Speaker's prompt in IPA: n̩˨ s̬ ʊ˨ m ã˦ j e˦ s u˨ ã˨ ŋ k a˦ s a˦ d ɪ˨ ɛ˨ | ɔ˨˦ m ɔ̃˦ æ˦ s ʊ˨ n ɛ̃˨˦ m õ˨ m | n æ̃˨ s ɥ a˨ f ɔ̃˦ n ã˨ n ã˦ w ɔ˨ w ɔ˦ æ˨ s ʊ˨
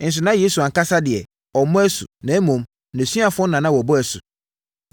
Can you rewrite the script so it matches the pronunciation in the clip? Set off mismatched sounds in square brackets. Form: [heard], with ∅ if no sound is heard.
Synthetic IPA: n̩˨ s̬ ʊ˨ [n] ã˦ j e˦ s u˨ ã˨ ŋ k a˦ s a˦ d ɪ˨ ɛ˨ | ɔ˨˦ m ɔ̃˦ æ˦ s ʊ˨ n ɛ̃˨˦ m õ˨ m | n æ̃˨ s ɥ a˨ f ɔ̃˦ n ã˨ n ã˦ w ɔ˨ [b] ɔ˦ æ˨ s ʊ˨